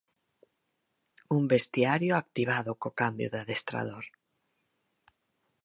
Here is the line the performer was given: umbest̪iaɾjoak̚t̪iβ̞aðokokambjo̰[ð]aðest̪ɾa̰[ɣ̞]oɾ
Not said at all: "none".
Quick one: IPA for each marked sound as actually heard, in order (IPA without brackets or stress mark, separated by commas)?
ð, ð̞